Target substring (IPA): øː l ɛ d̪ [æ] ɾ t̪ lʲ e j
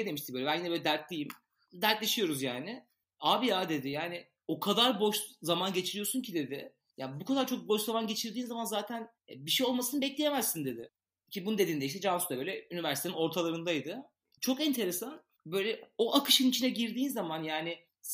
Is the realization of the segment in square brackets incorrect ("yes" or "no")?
no